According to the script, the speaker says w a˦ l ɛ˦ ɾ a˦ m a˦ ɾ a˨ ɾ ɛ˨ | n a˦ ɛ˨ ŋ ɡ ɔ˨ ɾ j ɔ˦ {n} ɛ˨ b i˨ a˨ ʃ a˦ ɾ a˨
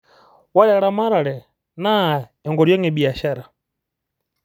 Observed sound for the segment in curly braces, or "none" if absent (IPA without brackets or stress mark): ŋ